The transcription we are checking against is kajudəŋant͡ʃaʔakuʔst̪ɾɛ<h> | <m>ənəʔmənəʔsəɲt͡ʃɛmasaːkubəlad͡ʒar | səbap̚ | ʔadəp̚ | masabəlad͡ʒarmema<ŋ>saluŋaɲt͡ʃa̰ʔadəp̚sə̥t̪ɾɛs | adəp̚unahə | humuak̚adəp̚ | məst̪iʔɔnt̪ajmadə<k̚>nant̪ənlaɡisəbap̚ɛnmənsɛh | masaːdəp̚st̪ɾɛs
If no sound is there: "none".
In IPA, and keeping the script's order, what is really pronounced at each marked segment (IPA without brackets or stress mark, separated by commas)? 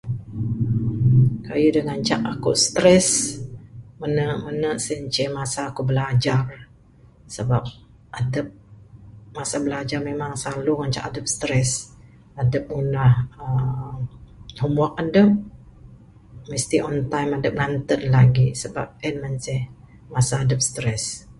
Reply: s, m, ŋ, p̚